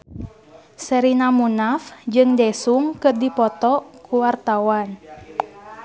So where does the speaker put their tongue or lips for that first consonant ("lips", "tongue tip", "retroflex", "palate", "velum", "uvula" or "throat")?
tongue tip